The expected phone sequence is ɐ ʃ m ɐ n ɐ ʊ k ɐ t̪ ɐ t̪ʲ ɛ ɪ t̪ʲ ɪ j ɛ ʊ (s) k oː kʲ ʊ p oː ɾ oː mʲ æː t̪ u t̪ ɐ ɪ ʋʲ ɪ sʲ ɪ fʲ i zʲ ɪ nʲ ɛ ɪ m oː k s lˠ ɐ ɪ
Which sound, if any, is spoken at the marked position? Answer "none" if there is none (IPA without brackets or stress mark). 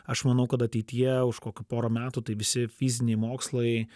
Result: ʃ